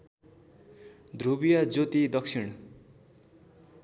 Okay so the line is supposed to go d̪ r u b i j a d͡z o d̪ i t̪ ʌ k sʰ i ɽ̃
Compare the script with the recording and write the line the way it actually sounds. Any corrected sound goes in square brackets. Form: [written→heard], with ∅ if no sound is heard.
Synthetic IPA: d̪ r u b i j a d͡z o [d̪→t̪] i [t̪→d̪] ʌ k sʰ i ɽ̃